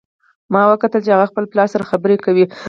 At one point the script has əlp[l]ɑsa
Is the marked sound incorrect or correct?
correct